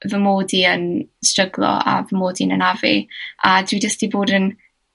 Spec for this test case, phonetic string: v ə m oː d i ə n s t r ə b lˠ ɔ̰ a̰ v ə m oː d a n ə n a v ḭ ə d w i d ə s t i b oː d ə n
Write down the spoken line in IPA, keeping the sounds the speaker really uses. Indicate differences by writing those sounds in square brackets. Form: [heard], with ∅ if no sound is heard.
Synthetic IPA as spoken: v ə m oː d i ə n s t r ə [ɡ] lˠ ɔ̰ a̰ v ə m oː d [i] n ə n a v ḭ [a] d w i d ə s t i b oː d ə n